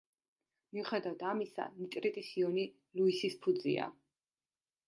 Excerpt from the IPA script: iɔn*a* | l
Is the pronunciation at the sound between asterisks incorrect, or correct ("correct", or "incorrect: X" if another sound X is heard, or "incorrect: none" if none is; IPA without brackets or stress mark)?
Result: incorrect: i